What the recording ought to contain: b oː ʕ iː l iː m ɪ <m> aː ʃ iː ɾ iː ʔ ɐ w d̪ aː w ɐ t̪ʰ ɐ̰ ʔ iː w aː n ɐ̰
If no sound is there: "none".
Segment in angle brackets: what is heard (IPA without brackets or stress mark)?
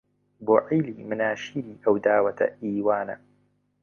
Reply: n